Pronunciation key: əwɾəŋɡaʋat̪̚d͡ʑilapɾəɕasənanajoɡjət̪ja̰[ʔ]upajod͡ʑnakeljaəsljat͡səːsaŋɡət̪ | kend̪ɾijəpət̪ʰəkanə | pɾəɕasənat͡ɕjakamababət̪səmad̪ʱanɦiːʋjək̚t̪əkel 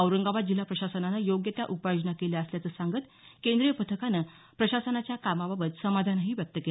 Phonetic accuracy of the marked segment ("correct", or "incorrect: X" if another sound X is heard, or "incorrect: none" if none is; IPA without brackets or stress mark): correct